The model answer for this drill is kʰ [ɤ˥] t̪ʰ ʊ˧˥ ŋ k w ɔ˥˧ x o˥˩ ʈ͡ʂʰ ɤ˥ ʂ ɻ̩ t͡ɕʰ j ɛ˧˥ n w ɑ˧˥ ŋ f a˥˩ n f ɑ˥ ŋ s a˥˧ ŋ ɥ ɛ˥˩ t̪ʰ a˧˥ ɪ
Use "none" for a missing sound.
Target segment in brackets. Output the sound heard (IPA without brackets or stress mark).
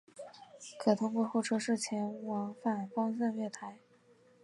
ɤ˨˩